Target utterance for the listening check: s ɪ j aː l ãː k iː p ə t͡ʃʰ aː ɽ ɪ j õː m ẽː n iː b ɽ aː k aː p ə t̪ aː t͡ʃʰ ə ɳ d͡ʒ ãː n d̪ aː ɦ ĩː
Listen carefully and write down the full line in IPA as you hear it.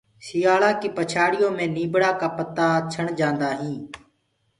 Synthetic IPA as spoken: s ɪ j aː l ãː k iː p ə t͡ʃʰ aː ɽ ɪ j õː m ẽː n iː b ɽ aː k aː p ə t̪ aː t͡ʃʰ ə ɳ d͡ʒ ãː n d̪ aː ɦ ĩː